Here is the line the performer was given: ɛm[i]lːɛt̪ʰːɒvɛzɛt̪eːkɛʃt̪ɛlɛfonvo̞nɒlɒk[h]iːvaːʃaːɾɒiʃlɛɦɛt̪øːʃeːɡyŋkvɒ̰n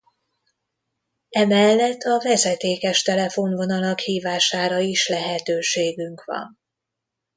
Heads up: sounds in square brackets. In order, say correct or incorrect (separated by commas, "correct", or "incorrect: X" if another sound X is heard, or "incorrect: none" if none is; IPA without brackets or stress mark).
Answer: incorrect: ɛ, correct